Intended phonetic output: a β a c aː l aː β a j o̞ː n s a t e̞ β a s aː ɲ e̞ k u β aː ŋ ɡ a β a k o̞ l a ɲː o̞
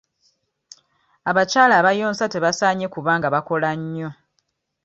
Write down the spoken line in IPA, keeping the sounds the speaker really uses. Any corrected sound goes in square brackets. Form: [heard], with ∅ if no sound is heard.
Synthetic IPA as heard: a β a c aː l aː β a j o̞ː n s a t e̞ β a s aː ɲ e̞ k u β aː ŋ ɡ a β a k o̞ l a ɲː o̞